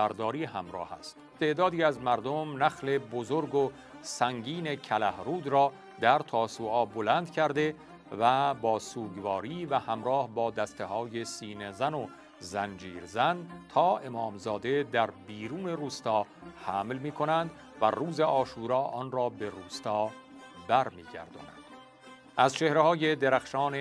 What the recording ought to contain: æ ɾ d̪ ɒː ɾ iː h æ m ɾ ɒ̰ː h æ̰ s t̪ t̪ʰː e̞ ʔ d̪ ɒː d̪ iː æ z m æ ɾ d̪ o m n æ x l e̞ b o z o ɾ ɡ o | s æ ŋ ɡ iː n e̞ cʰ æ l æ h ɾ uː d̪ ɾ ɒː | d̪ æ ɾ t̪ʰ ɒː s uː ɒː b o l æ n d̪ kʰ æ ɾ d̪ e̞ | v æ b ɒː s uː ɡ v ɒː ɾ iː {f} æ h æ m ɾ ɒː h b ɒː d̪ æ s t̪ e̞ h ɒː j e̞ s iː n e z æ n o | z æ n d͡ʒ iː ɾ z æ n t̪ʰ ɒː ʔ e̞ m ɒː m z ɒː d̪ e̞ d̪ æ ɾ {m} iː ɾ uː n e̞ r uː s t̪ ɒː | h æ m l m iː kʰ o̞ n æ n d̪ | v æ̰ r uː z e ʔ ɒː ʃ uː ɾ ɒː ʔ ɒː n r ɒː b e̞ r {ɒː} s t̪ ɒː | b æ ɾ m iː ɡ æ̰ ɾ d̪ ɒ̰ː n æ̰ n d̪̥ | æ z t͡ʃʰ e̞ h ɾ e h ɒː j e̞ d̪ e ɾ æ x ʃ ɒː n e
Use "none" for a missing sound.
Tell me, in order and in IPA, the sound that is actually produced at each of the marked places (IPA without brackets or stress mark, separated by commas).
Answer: v, b, uː